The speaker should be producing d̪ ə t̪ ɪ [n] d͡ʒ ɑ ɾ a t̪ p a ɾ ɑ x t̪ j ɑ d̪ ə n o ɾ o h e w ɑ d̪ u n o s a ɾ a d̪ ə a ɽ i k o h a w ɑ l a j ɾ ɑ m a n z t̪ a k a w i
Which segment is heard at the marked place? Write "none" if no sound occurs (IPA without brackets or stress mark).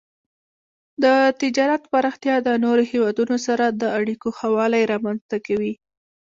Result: none